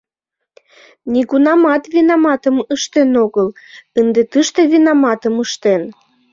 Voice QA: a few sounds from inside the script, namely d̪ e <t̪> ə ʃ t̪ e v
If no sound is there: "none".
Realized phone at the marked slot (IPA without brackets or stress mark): t̪